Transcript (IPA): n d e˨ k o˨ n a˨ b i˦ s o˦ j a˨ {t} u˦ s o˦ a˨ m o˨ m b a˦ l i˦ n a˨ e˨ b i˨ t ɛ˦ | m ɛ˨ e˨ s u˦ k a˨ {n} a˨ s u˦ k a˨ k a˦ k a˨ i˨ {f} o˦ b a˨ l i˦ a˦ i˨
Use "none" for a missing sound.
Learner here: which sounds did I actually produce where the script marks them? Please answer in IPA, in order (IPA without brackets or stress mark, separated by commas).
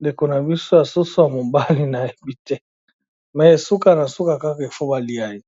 s, n, f